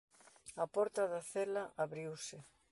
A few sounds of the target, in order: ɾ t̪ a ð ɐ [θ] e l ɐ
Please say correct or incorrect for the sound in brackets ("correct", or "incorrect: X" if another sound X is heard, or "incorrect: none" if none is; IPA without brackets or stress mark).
correct